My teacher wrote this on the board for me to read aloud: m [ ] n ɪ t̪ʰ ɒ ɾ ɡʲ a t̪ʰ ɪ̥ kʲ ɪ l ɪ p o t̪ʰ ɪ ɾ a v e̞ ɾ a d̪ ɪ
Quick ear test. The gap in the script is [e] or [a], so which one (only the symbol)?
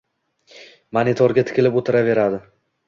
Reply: a